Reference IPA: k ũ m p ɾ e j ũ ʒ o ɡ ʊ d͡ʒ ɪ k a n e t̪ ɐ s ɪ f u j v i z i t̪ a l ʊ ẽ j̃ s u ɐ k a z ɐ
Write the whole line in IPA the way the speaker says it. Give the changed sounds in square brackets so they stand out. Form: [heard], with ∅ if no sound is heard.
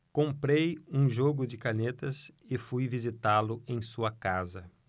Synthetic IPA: k [õ] m p ɾ e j ũ ʒ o ɡ ʊ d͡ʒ ɪ k a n e t̪ ɐ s ɪ f u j v i z i t̪ a l ʊ ẽ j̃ s u ɐ k a z ɐ